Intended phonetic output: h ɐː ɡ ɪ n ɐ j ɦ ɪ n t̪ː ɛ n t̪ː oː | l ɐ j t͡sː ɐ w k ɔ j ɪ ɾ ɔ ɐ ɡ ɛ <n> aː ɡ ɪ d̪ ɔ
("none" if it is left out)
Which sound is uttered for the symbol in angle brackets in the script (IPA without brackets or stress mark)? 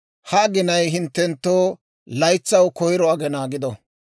n